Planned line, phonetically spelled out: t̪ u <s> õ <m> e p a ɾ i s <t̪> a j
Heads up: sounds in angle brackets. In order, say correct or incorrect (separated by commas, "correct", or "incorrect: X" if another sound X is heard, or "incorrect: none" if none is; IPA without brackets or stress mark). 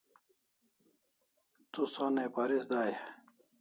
correct, incorrect: n, incorrect: d̪